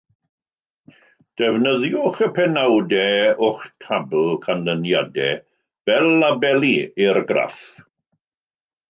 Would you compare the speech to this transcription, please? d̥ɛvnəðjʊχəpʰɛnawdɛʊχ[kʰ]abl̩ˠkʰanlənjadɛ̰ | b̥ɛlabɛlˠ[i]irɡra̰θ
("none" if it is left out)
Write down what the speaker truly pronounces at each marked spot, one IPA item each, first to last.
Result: tʰ, i

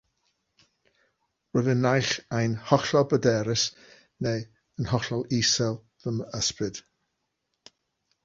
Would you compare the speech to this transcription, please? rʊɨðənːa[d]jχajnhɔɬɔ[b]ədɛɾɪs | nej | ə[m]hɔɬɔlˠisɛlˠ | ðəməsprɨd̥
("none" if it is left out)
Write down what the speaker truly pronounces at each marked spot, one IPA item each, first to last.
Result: none, b, n

